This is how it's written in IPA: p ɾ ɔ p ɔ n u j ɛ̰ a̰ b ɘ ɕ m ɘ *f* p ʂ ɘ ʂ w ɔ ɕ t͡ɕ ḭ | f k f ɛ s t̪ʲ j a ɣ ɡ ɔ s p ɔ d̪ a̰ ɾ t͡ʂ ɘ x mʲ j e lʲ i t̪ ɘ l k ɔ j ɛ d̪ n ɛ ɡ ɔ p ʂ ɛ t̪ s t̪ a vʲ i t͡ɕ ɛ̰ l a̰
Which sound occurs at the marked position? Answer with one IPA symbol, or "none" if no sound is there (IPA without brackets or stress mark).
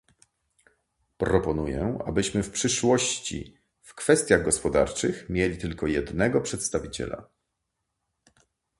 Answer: f